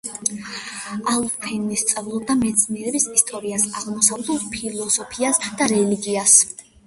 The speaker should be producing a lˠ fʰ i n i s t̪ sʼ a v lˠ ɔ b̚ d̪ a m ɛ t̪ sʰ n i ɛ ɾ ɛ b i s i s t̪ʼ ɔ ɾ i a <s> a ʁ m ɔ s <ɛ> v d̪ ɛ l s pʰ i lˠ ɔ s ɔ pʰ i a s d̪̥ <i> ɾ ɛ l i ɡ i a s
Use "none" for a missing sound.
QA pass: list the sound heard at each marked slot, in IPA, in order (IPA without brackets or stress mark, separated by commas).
s, a, a